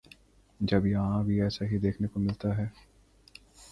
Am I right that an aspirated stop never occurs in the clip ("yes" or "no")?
no